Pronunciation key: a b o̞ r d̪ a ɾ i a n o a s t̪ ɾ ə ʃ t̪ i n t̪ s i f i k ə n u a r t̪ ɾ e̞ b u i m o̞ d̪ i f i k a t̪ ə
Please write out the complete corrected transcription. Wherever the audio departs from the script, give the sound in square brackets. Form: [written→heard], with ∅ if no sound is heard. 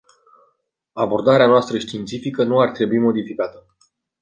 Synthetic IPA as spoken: a b o̞ r d̪ a ɾ [i→e] a n o a s t̪ ɾ ə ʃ t̪ i n t̪ s i f i k ə n u a r t̪ ɾ e̞ b u i m o̞ d̪ i f i k a t̪ ə